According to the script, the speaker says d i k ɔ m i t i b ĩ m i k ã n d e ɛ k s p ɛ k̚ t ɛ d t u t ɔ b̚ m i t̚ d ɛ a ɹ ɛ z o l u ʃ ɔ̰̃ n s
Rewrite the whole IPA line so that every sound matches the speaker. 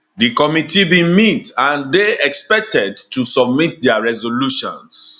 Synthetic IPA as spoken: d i k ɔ m i t i b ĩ m i t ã n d e ɛ k s p ɛ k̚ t ɛ d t u s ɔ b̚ m i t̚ d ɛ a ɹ ɛ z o l u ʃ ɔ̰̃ n s